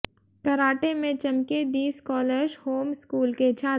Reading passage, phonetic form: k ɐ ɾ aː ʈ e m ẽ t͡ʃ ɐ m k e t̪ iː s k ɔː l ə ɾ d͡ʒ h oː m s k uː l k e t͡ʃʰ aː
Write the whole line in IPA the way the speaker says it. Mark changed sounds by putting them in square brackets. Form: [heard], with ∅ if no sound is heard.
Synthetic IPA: k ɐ ɾ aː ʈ e m ẽ t͡ʃ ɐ m k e [d̪] iː s k ɔː l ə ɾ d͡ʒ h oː m s k uː l k e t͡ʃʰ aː

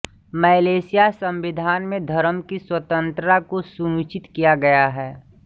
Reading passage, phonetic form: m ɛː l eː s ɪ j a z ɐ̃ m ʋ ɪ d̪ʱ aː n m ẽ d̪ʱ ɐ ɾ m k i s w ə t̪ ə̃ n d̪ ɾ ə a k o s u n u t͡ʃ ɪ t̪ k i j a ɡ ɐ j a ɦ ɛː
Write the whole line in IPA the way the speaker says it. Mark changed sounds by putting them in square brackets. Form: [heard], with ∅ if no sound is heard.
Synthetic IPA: m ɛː l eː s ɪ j a [s] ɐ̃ m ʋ ɪ d̪ʱ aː n m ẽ d̪ʱ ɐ ɾ m k i s w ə t̪ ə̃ n [t̪] ɾ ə a k o s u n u t͡ʃ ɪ t̪ k i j a ɡ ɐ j a ɦ ɛː

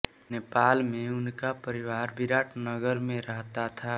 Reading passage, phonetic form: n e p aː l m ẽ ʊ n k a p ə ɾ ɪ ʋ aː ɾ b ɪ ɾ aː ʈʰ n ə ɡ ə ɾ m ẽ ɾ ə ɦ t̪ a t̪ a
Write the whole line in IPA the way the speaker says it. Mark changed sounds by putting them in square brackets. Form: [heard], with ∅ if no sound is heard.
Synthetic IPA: n e p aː l m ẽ ʊ n k a p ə ɾ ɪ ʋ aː ɾ b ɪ ɾ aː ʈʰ n ə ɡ ə ɾ m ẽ ɾ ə ɦ t̪ a [t̪ʰ] a

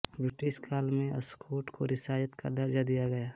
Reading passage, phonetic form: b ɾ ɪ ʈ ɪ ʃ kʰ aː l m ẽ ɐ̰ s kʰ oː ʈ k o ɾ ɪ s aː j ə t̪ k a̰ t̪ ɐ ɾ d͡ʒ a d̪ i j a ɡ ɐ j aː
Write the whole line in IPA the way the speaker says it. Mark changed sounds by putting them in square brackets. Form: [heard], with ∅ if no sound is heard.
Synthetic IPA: b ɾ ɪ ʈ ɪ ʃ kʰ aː l m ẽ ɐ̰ s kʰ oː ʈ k o ɾ ɪ s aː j ə t̪ k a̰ [d̪] ɐ ɾ d͡ʒ a d̪ i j a ɡ ɐ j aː

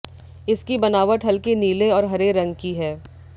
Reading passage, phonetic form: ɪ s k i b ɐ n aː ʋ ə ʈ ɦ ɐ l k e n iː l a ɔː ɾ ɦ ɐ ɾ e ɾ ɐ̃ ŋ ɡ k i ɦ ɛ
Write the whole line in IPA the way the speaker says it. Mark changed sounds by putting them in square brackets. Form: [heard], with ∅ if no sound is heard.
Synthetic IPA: ɪ s k i b ɐ n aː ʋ ə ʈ ɦ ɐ l k e n iː l [e] ɔː ɾ ɦ ɐ ɾ e ɾ ɐ̃ ŋ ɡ k i ɦ [ɛː]

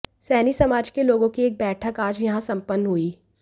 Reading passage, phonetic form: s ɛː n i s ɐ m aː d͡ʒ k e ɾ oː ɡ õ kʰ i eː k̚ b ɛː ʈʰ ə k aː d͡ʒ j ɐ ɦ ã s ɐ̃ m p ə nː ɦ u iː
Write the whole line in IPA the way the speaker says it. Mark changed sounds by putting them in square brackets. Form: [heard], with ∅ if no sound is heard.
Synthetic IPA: s ɛː n i s ɐ m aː d͡ʒ k e [l] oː ɡ õ [k] i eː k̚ b ɛː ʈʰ ə k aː d͡ʒ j ɐ ɦ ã s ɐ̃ m p ə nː ɦ u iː

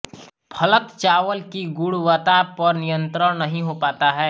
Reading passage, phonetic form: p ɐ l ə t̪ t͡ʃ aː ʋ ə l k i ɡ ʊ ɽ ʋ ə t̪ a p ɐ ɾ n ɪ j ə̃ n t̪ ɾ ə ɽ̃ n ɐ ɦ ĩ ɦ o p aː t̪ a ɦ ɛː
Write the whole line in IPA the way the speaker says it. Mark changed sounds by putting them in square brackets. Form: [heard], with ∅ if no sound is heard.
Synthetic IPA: [pʰ] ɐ l ə t̪ t͡ʃ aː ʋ ə l k i ɡ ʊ ɽ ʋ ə t̪ a p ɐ ɾ n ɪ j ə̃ n t̪ ɾ ə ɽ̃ n ɐ ɦ ĩ ɦ o p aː t̪ a ɦ ɛː

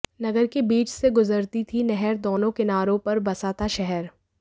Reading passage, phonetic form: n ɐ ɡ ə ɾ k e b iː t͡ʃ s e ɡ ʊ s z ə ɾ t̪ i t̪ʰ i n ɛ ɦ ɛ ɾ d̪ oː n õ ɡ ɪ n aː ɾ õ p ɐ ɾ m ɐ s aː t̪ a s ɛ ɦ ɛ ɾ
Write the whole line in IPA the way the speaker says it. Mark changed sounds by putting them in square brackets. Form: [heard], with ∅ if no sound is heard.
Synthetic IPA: n ɐ ɡ ə ɾ k e b iː t͡ʃ s e ɡ ʊ [∅] z ə ɾ t̪ i t̪ʰ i n ɛ ɦ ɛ ɾ d̪ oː n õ [k] ɪ n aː ɾ õ p ɐ ɾ [b] ɐ s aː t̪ a [ʃ] ɛ ɦ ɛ ɾ

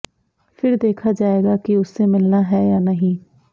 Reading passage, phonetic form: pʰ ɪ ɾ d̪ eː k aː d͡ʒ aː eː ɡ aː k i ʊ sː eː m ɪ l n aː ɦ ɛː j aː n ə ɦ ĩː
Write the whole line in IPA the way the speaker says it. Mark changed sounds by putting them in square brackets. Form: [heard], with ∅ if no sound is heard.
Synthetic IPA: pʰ ɪ ɾ d̪ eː [kʰ] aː d͡ʒ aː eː ɡ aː k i ʊ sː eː m ɪ l n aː ɦ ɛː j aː n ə ɦ ĩː

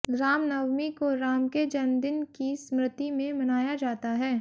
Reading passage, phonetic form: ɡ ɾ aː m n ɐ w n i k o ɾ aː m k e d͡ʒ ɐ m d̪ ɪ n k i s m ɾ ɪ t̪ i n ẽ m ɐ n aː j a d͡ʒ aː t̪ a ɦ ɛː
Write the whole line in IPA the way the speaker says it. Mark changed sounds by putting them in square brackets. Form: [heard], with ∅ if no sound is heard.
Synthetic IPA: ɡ ɾ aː m n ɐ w [m] i k o ɾ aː m k e d͡ʒ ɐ [n] d̪ ɪ n k i s m ɾ ɪ t̪ i [m] ẽ m ɐ n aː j a d͡ʒ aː t̪ a ɦ ɛː

